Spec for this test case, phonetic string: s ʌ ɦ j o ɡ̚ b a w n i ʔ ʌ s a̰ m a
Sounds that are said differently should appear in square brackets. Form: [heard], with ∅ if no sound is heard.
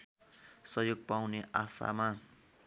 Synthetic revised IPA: s ʌ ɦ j o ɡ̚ [p] a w n [e] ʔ [a] s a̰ m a